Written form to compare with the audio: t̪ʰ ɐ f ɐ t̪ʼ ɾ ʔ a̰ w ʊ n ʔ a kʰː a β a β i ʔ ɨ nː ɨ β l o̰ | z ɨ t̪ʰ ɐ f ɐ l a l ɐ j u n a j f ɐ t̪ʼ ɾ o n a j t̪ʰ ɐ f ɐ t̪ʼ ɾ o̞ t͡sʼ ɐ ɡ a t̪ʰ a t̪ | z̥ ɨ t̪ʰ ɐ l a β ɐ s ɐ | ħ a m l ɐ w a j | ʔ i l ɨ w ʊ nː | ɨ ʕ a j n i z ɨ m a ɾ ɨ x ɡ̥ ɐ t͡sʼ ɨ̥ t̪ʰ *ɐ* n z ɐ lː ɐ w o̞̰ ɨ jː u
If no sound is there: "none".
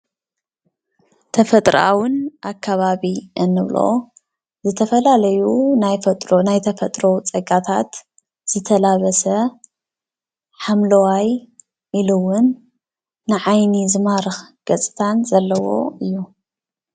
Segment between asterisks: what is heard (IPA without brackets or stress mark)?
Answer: a